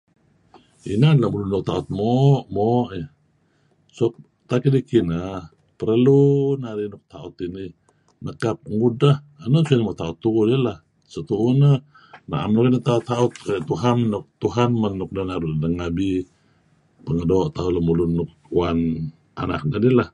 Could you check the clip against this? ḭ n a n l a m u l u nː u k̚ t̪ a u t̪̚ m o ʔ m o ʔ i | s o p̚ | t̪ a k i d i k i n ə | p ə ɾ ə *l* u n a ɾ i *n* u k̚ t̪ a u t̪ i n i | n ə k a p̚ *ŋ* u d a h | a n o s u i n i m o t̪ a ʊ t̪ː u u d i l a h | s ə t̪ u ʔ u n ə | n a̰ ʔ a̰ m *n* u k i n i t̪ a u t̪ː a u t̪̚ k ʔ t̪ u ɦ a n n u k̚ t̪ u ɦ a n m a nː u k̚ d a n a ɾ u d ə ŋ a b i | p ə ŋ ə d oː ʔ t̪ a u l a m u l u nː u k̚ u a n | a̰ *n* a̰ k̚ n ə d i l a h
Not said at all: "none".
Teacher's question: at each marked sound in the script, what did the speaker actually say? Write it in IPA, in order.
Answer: l, n, ŋ, n, n

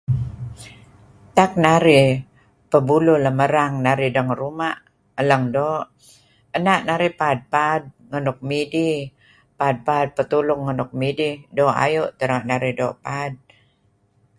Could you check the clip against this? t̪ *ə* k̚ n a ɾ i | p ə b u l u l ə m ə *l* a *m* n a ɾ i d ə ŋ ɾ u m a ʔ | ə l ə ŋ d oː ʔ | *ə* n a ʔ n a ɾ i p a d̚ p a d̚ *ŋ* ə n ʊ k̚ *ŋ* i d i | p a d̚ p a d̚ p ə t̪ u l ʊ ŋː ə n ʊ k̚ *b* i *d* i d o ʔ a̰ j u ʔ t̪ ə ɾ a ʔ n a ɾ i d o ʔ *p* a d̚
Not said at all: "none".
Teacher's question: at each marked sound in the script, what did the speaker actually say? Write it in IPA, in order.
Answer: a, ɾ, ŋ, ə, ŋ, m, m, d, p

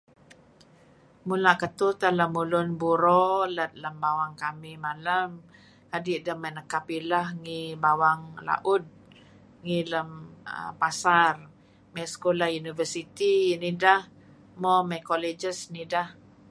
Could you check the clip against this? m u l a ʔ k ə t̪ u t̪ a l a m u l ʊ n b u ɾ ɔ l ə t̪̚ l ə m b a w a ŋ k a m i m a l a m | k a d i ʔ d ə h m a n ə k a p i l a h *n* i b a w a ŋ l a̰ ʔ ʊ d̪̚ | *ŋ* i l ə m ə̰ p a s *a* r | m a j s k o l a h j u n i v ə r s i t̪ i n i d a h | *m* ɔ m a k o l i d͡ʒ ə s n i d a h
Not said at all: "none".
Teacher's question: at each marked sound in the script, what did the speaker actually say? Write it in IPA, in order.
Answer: ŋ, ŋ, a, m

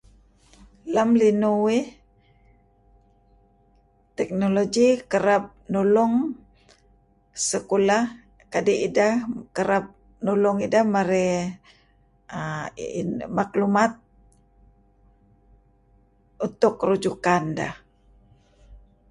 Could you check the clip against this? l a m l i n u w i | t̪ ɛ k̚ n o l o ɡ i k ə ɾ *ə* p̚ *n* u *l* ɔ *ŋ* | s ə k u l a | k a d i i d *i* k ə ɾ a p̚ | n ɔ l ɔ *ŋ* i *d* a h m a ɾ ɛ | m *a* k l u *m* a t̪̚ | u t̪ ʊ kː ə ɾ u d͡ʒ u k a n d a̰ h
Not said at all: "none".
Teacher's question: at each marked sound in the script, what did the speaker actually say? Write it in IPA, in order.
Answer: a, n, l, ŋ, a, ŋ, d, a, m

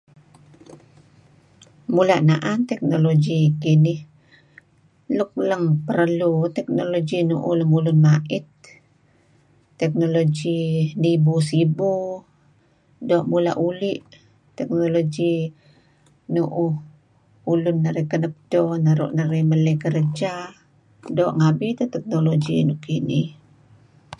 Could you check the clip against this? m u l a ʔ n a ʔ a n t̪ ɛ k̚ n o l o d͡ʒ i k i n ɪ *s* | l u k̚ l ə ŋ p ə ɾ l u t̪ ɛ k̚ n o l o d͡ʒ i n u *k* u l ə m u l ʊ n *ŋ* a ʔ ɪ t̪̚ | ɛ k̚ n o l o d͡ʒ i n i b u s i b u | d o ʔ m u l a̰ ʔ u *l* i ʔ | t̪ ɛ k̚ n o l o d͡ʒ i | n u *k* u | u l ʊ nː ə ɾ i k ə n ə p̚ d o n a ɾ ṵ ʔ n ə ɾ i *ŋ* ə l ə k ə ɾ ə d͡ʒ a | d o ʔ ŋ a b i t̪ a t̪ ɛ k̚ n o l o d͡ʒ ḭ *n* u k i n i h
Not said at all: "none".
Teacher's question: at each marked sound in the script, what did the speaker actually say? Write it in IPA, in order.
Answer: h, ʔ, m, l, ʔ, m, n

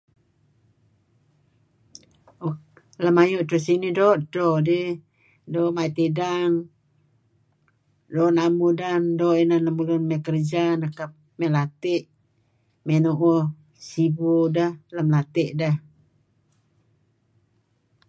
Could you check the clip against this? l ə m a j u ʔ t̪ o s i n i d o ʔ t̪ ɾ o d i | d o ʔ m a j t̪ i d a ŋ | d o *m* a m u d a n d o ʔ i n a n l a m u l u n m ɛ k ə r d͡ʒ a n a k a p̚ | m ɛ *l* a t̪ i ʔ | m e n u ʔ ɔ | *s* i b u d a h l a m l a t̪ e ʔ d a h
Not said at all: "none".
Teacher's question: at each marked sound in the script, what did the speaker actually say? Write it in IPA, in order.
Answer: n, l, s

